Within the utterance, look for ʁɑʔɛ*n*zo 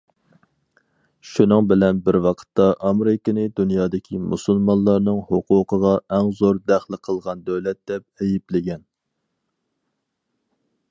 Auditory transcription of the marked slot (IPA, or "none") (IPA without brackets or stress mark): ŋ